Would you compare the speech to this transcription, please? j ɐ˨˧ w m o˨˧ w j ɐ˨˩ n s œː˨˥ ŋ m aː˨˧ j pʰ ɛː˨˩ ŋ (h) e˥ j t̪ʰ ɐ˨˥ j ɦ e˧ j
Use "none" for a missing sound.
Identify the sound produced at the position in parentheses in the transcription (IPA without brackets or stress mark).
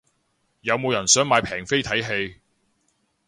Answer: f